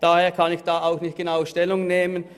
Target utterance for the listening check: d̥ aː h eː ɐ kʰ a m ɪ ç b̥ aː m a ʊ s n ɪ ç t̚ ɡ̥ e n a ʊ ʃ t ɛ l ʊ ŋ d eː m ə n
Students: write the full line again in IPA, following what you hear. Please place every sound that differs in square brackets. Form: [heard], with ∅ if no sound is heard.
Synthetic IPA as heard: d̥ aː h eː ɐ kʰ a [n] ɪ ç [d̥] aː [∅] a ʊ [x] n ɪ ç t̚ ɡ̥ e n a ʊ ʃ t ɛ l ʊ ŋ [n] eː m ə n